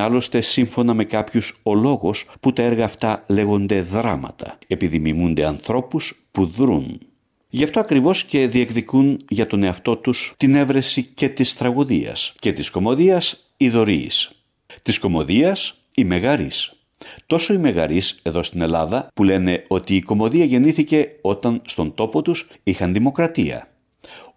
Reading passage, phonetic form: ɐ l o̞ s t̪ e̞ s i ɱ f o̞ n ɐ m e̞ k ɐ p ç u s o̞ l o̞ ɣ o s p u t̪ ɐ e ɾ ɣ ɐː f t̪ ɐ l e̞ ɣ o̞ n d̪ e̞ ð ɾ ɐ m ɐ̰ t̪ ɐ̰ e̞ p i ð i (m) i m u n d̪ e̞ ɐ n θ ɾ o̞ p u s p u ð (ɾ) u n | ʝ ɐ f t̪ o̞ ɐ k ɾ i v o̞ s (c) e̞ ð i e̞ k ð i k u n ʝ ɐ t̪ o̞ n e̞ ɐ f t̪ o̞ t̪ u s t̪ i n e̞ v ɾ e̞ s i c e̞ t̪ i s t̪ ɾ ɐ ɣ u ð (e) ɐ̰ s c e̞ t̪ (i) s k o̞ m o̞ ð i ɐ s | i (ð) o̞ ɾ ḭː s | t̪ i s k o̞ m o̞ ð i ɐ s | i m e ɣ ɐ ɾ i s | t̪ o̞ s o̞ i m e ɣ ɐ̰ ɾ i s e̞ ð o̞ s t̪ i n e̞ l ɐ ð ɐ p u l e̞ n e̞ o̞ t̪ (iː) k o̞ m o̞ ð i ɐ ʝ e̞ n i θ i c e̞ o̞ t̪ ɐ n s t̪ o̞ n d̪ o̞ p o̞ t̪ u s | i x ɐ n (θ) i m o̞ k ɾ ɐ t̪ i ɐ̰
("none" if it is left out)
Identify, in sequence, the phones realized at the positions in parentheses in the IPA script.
m, ɾ, c, i, i, ð, iː, ð

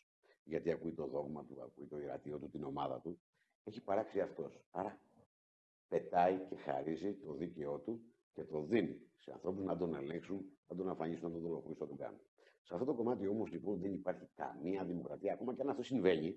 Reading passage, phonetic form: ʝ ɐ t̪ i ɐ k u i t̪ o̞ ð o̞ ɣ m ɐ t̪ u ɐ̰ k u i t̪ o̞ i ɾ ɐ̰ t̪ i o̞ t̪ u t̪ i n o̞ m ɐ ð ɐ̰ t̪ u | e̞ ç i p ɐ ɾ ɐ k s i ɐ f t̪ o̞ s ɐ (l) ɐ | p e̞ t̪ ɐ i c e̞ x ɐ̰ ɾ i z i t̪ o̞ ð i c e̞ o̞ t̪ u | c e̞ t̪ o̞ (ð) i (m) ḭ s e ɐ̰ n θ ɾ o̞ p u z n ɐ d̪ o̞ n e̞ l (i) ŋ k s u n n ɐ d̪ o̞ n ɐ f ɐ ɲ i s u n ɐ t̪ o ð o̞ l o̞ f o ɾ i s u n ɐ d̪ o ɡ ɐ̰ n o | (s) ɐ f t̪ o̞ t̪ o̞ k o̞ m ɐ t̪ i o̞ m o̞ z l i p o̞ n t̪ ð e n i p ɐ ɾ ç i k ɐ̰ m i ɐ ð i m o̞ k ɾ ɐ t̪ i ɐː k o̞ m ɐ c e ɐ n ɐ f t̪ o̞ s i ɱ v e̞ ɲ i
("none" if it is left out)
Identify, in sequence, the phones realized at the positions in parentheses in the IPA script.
ɾ, ð, n, e, s

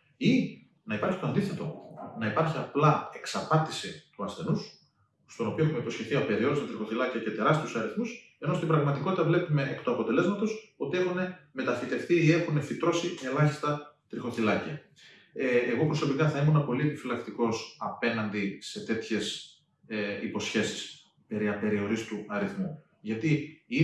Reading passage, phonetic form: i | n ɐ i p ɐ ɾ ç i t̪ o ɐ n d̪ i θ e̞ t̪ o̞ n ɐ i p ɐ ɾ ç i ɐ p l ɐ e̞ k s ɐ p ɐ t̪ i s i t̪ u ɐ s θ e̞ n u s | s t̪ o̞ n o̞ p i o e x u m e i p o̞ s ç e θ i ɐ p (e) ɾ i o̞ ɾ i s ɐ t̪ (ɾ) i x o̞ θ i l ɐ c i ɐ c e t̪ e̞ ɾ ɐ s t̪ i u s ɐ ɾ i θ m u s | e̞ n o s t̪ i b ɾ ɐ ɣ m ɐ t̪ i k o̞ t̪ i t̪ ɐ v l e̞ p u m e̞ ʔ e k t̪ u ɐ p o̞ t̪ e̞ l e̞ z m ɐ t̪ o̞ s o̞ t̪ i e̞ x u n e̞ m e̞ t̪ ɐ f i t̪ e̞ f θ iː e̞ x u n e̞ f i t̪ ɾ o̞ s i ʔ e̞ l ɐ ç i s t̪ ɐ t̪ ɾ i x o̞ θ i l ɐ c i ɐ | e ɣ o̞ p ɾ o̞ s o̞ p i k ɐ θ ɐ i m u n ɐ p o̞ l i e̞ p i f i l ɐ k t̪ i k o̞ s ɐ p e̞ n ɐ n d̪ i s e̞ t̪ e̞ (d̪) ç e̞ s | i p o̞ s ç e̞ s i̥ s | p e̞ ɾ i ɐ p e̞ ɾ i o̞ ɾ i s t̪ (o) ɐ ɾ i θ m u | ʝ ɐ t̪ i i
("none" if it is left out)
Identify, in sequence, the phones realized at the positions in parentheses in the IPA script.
e, ɾ, t̪, u

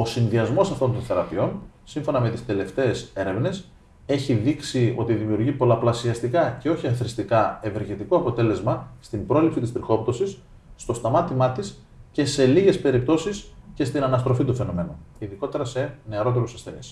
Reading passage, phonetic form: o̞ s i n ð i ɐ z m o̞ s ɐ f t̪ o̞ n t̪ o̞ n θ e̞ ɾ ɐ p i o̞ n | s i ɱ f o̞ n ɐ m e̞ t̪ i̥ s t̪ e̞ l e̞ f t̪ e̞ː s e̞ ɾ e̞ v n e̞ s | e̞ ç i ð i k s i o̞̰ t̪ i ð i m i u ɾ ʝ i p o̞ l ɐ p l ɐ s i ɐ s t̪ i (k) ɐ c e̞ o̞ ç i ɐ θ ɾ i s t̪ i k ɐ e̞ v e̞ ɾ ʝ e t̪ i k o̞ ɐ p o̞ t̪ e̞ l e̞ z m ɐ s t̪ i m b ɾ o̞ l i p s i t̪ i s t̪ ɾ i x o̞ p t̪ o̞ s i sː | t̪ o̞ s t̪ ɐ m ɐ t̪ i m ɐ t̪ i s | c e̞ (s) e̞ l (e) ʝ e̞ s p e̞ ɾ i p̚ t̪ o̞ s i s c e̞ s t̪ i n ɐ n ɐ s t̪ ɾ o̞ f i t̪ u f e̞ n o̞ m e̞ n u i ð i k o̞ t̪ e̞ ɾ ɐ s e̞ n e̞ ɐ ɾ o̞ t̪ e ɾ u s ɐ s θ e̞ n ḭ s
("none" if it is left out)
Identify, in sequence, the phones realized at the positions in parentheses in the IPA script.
k, s, i

